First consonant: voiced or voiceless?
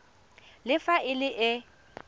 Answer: voiced